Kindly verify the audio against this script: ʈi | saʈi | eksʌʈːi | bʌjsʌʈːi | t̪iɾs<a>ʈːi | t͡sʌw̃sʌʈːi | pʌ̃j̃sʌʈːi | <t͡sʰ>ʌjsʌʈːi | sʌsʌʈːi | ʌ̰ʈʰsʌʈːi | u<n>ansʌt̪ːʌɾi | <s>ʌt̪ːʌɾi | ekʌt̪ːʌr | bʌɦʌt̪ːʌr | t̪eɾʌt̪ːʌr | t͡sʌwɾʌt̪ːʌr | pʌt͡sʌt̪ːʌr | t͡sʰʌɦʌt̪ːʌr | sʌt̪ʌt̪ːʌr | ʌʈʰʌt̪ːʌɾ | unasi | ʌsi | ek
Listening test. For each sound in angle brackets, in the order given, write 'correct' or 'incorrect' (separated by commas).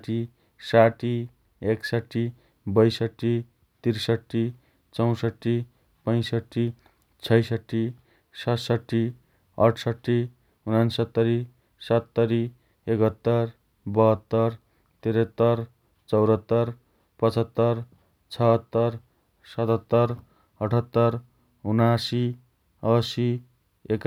incorrect, correct, correct, correct